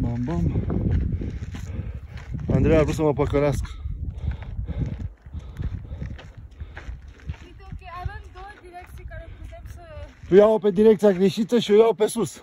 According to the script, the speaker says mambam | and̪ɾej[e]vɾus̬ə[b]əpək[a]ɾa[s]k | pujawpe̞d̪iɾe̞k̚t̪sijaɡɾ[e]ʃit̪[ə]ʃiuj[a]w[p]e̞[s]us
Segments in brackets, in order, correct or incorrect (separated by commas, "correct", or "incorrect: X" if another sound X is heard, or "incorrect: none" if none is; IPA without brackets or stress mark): incorrect: a, incorrect: m, incorrect: ə, correct, correct, correct, correct, correct, correct